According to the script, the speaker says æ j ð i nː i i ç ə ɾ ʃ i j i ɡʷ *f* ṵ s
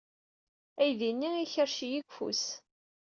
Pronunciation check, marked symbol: correct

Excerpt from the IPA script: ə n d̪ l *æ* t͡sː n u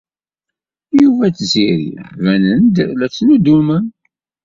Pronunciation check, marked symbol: correct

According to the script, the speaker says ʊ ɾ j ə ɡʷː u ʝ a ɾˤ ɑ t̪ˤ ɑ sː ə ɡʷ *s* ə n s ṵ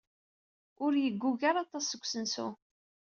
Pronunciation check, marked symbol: correct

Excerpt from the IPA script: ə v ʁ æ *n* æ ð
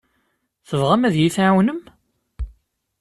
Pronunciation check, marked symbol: incorrect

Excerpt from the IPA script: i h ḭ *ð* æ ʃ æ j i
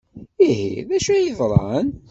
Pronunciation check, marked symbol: correct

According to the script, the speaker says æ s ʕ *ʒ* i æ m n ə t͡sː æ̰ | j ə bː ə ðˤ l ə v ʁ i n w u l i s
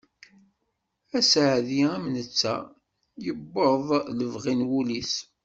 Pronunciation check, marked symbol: incorrect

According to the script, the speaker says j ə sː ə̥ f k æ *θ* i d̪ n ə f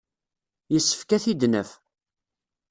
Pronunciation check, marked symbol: correct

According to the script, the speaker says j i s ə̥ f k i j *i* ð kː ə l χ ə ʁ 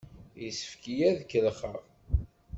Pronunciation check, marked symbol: incorrect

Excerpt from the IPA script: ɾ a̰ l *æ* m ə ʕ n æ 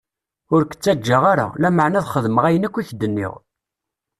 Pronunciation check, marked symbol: correct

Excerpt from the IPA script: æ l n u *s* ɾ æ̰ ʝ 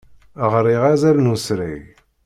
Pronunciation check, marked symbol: correct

